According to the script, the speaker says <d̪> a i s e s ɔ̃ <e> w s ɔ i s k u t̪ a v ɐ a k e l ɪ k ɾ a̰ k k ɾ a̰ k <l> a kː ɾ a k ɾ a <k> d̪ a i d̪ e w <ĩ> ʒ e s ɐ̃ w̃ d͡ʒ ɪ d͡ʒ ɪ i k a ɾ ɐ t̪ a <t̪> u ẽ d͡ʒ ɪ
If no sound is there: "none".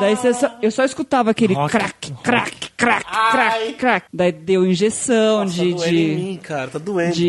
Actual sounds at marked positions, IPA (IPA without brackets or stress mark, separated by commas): d̪, e, ɾ, k, ĩ, d̪